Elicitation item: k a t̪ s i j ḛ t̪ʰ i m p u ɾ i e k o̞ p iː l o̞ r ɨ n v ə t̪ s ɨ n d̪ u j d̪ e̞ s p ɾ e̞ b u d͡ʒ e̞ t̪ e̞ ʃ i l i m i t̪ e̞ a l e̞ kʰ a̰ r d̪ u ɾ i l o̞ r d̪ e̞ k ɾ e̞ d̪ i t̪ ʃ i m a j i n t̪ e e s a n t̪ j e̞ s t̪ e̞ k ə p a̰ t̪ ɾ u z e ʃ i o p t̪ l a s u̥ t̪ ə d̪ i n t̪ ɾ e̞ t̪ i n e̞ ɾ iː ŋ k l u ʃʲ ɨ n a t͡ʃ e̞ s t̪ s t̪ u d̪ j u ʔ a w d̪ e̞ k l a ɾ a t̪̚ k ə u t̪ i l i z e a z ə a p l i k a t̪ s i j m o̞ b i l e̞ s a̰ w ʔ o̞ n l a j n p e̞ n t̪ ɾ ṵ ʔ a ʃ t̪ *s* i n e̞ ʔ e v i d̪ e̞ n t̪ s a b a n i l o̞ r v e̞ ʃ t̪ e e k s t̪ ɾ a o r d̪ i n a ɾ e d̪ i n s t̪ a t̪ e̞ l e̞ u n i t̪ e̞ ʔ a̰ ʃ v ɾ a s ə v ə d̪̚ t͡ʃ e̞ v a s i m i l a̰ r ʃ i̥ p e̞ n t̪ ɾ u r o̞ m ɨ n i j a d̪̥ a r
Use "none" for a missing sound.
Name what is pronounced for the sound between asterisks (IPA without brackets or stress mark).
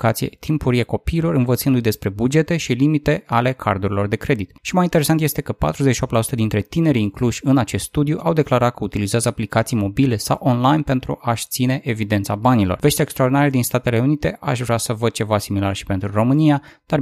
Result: s